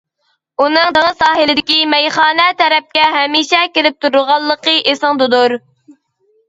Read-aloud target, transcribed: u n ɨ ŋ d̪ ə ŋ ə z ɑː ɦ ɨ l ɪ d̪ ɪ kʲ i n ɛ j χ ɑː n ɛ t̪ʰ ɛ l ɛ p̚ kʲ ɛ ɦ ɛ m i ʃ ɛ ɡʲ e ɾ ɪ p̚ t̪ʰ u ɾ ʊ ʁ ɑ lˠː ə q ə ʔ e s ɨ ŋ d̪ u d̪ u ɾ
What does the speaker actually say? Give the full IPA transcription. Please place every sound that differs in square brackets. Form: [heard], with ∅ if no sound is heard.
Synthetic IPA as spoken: u n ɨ ŋ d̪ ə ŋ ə [s] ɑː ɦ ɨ l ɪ d̪ ɪ kʲ i [m] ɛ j χ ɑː n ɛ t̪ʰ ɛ [ɾ] ɛ p̚ kʲ ɛ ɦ ɛ m i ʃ ɛ [kʲ] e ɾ ɪ p̚ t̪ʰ u ɾ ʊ ʁ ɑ lˠː ə q ə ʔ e s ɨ ŋ d̪ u d̪ u ɾ